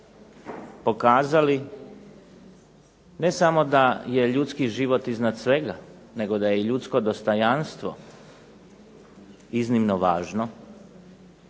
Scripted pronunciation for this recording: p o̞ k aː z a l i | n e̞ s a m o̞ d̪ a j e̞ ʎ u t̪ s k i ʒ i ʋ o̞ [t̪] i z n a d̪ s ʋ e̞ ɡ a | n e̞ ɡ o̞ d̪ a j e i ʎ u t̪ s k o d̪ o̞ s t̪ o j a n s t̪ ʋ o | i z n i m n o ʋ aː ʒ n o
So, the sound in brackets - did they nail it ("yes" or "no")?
yes